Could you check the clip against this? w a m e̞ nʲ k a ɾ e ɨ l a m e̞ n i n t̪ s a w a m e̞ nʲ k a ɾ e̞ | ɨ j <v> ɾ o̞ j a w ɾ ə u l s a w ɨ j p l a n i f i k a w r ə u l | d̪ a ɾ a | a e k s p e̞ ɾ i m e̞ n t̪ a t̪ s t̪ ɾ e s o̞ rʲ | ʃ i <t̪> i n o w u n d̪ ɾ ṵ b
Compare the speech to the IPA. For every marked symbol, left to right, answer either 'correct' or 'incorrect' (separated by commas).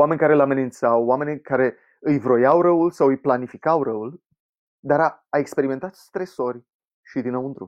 correct, incorrect